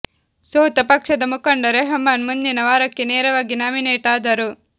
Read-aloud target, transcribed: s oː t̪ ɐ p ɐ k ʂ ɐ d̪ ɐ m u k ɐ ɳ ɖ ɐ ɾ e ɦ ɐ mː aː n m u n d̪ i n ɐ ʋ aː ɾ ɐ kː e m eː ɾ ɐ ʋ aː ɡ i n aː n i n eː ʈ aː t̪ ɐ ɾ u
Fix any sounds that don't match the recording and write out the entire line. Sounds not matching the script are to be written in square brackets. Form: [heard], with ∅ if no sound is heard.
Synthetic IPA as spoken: s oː t̪ ɐ p ɐ k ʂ ɐ d̪ ɐ m u k ɐ ɳ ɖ ɐ ɾ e ɦ ɐ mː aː n m u n d̪ i n ɐ ʋ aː ɾ ɐ kː e [n] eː ɾ ɐ ʋ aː ɡ i n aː [m] i n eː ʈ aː [d̪] ɐ ɾ u